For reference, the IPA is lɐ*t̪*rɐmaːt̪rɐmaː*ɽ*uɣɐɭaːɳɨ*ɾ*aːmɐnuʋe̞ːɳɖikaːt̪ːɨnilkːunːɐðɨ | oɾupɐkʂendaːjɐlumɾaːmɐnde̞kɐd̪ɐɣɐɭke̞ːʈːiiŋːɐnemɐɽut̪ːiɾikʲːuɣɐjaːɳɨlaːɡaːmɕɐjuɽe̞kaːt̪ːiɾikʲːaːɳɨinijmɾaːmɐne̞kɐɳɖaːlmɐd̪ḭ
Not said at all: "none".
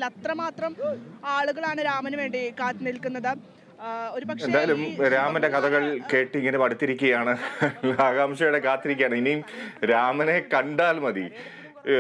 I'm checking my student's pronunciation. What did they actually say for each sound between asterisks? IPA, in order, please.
t̪, ɭ, ɾ

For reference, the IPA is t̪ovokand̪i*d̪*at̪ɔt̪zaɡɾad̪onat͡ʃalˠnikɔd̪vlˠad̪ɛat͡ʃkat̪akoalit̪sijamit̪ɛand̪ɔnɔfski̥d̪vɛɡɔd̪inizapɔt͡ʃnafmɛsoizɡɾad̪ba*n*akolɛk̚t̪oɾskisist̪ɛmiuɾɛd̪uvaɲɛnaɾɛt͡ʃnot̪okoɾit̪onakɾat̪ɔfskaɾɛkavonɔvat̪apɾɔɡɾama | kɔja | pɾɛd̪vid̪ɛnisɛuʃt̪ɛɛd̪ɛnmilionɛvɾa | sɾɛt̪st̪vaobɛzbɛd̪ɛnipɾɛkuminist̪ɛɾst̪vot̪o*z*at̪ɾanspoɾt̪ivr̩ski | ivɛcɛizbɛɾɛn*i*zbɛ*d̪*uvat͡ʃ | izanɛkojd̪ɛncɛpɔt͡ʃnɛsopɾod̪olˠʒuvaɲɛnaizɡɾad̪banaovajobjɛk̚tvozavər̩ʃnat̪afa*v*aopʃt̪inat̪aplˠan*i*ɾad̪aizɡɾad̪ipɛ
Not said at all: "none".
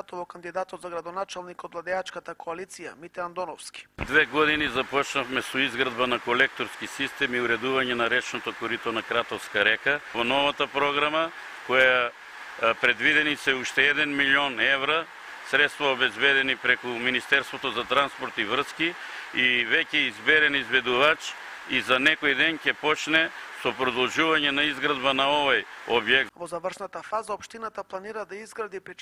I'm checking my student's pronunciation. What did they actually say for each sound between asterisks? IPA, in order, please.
d̪, n, z, i, d̪, z, i

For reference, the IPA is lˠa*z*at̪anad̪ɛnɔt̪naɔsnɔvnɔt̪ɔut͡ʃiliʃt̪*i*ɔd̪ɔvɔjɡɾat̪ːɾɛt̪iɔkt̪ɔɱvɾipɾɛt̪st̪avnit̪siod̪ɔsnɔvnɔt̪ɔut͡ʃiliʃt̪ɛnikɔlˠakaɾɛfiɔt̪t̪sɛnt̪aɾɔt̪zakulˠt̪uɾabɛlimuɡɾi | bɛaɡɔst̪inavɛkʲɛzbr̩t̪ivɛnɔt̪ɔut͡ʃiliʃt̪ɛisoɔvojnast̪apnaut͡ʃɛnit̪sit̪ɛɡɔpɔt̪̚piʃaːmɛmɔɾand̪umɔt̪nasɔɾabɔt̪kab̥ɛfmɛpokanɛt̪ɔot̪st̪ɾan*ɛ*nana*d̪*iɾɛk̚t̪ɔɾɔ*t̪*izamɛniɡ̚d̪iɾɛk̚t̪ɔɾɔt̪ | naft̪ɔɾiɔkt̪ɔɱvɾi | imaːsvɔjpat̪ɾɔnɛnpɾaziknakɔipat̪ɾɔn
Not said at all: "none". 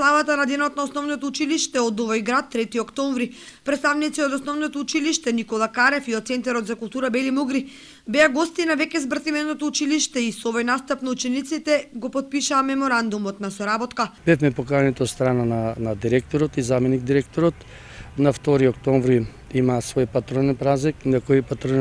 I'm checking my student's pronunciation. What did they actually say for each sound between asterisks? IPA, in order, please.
v, ɛ, a, d̪, t̪

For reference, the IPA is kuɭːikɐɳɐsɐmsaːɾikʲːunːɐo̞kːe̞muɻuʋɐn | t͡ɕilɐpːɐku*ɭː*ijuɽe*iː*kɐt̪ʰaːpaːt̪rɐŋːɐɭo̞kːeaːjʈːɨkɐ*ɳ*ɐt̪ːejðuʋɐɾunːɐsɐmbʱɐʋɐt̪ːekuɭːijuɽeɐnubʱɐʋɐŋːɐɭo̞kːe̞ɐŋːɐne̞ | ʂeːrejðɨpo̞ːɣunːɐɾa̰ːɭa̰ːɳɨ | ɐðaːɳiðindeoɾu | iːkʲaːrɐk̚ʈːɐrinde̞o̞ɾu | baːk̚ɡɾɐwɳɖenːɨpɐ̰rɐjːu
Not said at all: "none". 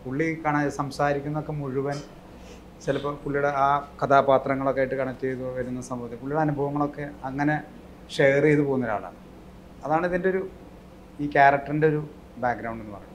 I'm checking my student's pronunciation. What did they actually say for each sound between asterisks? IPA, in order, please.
ɭː, aː, ɳ

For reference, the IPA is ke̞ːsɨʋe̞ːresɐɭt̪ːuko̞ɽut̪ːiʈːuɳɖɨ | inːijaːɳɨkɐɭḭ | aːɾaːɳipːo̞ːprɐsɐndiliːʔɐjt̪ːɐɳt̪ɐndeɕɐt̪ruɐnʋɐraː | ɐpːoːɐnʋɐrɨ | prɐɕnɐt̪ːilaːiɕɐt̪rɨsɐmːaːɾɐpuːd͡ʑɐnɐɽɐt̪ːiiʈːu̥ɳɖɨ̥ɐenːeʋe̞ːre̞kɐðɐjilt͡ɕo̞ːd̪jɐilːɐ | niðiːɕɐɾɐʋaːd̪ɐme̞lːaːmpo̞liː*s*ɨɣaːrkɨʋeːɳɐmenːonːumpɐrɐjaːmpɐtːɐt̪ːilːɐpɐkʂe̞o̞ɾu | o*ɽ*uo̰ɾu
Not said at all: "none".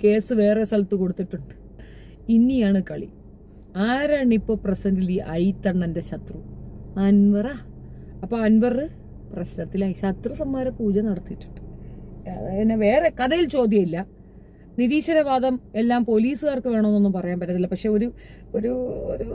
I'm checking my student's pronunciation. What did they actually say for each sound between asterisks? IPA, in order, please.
s, ɾ

